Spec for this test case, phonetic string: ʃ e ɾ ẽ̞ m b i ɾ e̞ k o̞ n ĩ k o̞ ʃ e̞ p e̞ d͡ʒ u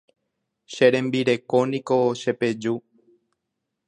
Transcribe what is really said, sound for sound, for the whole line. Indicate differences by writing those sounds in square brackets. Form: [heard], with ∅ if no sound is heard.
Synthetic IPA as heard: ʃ e ɾ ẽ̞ m b i ɾ e̞ k o̞ n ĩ k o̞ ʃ e̞ p e̞ d͡ʒ u